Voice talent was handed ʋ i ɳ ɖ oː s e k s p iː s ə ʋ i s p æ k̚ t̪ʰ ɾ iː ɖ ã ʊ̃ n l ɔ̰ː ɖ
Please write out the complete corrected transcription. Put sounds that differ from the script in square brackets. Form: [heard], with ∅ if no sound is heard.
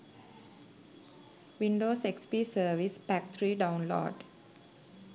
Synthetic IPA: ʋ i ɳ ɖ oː s e k s p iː s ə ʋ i s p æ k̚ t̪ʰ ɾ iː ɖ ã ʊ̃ n l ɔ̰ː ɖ

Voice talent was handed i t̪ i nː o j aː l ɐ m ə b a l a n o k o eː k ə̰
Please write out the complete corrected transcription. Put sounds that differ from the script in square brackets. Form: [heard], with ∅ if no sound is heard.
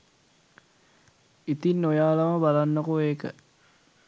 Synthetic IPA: i t̪ i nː o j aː l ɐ m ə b a l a [nː] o k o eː k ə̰

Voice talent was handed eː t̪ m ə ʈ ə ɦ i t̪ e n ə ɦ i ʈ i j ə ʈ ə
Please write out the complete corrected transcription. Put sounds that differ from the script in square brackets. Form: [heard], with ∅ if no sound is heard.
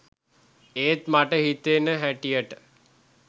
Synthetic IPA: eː t̪ m [a] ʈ ə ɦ i t̪ e n ə ɦ [æ] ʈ i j ə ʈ ə

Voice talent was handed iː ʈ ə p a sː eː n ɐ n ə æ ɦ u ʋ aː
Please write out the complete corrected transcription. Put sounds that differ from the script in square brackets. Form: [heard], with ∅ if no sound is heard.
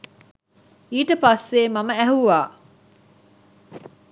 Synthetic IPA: iː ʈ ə p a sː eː [m] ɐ [m] ə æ ɦ u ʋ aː

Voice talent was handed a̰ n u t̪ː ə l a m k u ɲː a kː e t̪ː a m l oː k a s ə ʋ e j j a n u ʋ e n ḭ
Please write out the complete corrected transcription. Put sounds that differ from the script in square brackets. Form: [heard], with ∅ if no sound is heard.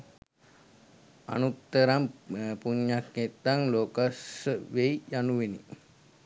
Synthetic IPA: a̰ n u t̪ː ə [ɾ] a m [p] u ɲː a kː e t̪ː a [ŋ] l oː k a s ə ʋ e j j a n u ʋ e n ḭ

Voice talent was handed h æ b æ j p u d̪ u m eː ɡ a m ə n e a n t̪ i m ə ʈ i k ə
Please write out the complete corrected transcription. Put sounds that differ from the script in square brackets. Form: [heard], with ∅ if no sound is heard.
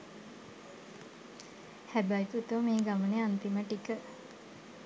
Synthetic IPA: h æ b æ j p u [t̪] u m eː ɡ a m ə n e a n t̪ i m ə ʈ i k ə

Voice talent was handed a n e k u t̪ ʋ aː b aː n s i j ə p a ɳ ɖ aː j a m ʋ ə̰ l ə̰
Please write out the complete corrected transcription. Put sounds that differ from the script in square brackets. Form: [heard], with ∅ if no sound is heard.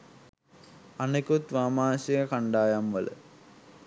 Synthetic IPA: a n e k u t̪ ʋ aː [m] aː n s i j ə [k] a ɳ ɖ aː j a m ʋ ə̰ l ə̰

